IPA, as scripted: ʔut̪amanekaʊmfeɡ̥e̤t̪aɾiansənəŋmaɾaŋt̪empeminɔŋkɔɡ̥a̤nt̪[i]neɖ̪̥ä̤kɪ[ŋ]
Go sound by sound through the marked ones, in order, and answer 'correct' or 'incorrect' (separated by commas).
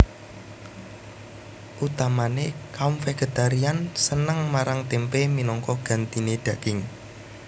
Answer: correct, correct